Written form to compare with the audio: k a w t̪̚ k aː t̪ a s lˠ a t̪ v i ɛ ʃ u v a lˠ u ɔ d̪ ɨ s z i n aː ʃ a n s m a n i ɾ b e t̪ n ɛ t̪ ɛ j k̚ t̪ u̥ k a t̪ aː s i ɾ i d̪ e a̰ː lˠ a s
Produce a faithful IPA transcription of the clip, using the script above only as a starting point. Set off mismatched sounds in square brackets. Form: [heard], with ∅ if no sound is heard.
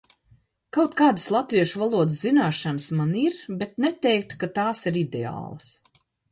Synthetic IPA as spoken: k a w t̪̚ k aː [d̪] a s lˠ a t̪ v i ɛ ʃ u v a lˠ u ɔ d̪ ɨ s z i n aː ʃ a n s m a n i ɾ b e t̪ n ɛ t̪ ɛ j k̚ t̪ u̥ k a t̪ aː s i ɾ i d̪ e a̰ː lˠ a s